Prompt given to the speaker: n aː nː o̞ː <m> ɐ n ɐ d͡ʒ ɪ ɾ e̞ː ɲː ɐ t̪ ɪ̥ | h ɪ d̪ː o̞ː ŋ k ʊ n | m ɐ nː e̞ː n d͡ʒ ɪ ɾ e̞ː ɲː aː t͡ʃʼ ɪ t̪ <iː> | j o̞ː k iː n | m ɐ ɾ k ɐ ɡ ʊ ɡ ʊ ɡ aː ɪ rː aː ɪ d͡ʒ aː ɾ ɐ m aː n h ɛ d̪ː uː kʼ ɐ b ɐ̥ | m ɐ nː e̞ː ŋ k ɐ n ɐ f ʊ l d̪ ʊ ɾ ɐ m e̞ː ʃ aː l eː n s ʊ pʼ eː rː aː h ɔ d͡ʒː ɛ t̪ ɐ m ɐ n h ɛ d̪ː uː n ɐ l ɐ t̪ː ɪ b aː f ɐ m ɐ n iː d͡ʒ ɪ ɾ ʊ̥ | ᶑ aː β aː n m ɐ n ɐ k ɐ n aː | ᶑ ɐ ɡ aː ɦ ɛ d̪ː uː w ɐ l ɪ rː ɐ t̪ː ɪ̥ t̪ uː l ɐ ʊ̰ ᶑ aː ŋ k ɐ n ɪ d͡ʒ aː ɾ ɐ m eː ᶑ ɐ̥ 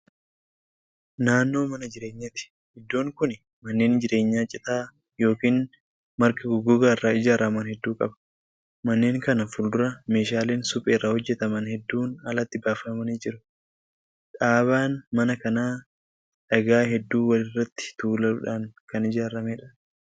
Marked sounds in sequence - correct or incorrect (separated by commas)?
correct, incorrect